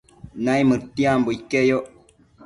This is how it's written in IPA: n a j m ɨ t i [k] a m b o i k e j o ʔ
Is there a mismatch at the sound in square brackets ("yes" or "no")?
yes